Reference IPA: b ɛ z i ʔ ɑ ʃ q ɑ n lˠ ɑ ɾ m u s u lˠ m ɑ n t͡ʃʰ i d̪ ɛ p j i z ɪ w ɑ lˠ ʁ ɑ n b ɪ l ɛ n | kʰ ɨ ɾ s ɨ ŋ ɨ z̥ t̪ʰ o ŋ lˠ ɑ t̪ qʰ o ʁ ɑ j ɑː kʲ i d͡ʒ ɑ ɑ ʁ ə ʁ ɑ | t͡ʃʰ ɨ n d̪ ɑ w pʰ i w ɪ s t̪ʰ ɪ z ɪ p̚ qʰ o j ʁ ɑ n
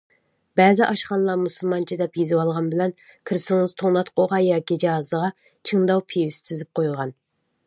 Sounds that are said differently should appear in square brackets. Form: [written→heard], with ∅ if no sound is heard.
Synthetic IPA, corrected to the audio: b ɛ z [i→ɪ] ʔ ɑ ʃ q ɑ n lˠ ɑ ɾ m u s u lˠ m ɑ n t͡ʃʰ i d̪ ɛ p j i z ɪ w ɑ lˠ ʁ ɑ n b ɪ l ɛ n | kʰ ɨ ɾ s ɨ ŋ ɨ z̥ t̪ʰ o ŋ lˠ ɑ t̪ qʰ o ʁ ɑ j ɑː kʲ i d͡ʒ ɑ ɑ [ʁ→z] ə ʁ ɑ | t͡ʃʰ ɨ [n→ŋ] d̪ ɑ w pʰ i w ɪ s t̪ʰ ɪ z ɪ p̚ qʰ o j ʁ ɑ n